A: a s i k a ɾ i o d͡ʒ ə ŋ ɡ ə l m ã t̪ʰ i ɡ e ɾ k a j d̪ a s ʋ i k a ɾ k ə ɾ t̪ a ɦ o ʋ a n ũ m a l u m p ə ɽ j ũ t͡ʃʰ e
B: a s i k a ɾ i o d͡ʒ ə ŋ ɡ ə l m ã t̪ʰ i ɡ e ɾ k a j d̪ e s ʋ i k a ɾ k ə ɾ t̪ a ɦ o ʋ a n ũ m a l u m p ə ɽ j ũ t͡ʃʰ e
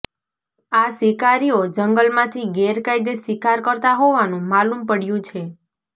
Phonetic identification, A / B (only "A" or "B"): B